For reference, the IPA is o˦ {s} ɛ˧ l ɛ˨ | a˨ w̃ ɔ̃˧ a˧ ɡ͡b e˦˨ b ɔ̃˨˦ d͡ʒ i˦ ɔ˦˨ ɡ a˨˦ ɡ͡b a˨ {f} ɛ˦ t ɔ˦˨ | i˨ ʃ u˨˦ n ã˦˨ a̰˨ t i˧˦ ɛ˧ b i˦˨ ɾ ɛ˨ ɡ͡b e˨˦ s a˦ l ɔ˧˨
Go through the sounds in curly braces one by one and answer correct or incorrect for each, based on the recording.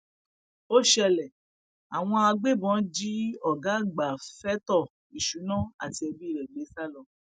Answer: incorrect: ʃ, correct

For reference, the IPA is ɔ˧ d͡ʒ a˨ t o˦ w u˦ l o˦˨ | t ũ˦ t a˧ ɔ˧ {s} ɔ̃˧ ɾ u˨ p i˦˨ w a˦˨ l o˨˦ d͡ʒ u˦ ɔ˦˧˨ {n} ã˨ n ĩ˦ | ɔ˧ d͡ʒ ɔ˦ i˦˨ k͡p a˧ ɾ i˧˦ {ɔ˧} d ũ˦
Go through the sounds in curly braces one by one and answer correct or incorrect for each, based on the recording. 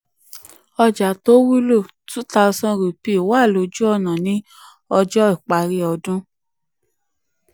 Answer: correct, correct, correct

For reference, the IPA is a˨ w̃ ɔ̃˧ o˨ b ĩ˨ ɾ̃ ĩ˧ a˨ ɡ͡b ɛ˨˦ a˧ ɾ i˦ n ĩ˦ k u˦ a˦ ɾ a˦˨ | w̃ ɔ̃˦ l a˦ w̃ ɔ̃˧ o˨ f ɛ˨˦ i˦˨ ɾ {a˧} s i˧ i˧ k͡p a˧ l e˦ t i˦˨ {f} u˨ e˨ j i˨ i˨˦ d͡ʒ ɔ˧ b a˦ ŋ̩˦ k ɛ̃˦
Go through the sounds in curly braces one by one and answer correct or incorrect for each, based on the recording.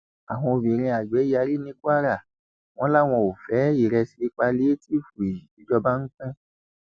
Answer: incorrect: ɛ˧, correct

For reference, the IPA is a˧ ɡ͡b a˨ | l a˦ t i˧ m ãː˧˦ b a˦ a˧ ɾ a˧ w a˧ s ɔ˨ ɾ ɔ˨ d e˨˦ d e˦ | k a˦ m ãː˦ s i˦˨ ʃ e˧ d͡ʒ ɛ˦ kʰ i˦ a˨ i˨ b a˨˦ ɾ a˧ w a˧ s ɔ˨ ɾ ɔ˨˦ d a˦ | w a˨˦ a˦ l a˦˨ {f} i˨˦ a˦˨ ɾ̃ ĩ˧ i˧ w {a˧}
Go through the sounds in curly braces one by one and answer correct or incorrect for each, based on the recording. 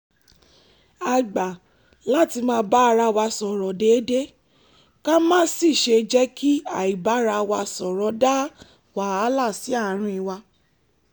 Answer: incorrect: s, correct

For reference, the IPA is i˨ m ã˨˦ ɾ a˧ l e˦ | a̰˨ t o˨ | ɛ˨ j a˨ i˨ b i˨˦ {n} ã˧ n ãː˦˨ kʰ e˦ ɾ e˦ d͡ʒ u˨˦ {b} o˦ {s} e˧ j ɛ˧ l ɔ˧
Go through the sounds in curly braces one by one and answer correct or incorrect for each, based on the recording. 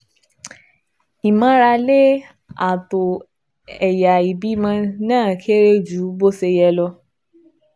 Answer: incorrect: m, correct, correct

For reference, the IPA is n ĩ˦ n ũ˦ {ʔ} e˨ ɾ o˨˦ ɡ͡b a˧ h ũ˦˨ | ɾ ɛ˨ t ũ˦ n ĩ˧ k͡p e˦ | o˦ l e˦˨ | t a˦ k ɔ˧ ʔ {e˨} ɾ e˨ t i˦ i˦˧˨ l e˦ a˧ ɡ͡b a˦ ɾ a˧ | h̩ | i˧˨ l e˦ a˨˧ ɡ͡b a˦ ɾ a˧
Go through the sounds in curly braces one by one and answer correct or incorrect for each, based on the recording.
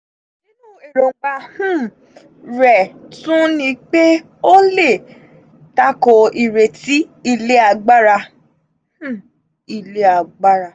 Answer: incorrect: none, incorrect: i˨

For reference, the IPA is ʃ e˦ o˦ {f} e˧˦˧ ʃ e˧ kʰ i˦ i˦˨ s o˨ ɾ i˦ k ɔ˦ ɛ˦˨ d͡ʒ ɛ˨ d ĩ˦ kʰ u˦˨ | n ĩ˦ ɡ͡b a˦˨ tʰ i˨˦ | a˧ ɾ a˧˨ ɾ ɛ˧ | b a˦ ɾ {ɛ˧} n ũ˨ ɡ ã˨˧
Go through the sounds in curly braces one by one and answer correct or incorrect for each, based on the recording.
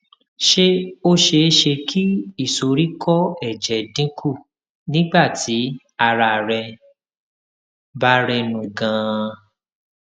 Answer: incorrect: ʃ, correct

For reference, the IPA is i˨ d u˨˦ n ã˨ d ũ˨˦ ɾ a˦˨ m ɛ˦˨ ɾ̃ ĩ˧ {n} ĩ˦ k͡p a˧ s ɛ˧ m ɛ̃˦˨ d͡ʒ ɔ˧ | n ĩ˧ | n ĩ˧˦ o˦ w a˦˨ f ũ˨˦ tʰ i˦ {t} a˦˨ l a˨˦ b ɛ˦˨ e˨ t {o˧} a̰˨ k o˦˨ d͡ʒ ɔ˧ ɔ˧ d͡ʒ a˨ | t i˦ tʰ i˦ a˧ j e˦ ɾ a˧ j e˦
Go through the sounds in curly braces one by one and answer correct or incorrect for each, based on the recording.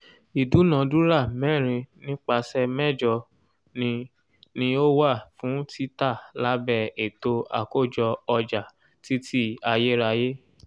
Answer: correct, correct, correct

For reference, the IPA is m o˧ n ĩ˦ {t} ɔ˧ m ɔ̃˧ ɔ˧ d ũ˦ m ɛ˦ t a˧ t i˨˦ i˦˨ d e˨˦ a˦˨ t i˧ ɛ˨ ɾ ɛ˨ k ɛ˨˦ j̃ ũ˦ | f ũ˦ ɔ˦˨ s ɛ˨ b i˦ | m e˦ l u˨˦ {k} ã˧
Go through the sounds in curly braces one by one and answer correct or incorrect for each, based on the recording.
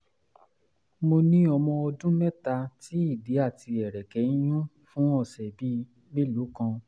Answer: incorrect: none, correct

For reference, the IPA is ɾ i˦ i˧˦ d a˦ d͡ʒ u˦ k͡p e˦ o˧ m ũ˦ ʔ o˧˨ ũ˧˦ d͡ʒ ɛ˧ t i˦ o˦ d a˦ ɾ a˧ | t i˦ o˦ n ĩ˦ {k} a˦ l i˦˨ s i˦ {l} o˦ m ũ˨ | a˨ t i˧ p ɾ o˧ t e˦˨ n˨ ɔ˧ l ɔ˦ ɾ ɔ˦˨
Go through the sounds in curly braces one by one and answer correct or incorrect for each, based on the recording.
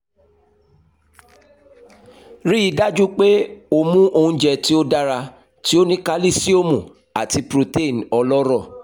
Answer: correct, incorrect: none

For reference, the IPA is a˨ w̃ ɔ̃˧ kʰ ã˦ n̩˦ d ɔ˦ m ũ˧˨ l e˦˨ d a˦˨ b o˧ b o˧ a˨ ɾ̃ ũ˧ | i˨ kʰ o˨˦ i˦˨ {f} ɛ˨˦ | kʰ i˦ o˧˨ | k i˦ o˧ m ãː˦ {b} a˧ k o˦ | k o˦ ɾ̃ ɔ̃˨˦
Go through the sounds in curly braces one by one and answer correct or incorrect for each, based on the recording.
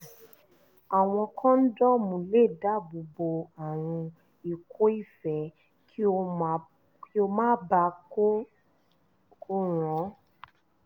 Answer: correct, correct

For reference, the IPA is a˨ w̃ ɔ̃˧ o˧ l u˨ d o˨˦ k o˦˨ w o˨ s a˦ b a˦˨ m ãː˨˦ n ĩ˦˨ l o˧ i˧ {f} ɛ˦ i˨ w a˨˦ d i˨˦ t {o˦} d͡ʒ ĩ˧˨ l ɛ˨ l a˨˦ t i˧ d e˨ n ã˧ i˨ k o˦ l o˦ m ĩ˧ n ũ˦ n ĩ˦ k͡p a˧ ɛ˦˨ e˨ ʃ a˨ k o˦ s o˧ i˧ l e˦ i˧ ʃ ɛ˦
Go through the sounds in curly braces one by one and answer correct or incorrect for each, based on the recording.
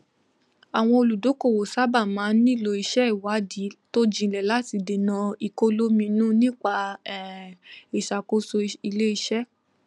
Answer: incorrect: ʃ, correct

